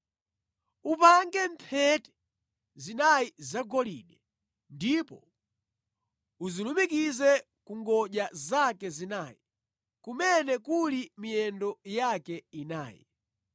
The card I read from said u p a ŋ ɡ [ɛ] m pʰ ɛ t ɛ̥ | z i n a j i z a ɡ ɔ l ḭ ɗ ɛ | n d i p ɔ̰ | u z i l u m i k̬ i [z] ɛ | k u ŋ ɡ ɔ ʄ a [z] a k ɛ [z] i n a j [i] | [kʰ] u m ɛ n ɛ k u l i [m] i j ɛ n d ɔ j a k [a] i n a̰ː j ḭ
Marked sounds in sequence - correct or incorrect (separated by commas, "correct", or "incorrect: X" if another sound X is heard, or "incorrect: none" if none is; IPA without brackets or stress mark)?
correct, correct, correct, correct, correct, incorrect: k, correct, incorrect: ɛ